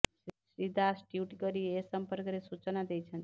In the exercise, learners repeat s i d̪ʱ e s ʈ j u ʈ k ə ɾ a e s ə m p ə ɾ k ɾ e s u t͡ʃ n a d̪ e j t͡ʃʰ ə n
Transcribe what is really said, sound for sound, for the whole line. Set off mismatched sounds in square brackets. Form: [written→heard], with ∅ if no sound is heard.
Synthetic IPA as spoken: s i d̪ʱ [e→a] s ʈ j u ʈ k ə ɾ [a→i] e s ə m p ə ɾ k ɾ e s u t͡ʃ n a d̪ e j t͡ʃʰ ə n